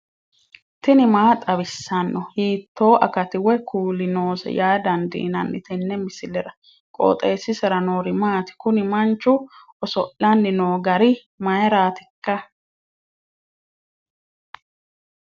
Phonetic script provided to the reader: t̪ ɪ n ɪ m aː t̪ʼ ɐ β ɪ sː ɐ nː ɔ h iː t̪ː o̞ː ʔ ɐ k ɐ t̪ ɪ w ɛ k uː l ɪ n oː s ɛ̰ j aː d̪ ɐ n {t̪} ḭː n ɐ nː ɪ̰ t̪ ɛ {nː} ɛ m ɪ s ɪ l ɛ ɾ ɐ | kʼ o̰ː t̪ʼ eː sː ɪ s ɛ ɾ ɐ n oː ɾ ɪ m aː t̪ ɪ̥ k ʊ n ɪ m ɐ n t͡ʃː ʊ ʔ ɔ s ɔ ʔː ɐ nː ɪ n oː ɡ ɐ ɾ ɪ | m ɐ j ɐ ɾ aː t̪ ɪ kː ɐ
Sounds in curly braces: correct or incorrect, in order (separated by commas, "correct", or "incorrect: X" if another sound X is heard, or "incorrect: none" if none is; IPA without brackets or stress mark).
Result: incorrect: d̪, correct